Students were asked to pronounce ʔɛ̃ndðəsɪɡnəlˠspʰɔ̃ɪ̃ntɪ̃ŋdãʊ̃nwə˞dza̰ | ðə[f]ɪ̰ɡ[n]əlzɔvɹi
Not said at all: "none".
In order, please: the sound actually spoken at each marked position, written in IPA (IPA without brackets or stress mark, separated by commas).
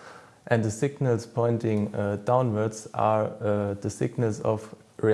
s, n